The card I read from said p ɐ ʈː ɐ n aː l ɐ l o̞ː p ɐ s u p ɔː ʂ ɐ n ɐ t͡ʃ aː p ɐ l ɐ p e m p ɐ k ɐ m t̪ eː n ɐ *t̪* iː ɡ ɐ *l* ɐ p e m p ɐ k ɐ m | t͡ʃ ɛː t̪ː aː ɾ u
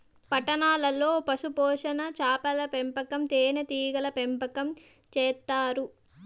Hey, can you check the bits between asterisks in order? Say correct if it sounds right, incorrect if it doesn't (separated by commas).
correct, correct